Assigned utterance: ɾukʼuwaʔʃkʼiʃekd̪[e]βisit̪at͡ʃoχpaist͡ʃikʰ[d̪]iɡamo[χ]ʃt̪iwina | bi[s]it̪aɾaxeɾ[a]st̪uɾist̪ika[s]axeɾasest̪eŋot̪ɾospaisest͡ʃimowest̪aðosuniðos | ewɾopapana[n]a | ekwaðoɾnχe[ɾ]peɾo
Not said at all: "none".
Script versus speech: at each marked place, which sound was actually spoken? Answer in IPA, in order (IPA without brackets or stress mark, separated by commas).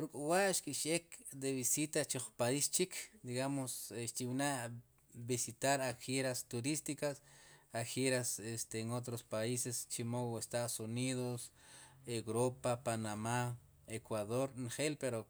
e, d̪, s, s, a, s, m, l